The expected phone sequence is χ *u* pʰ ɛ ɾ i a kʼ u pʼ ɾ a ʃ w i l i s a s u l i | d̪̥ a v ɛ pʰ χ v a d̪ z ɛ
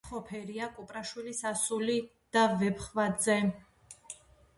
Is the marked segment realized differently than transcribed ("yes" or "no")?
yes